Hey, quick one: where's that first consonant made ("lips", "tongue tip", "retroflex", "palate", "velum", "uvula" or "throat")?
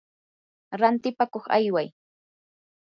tongue tip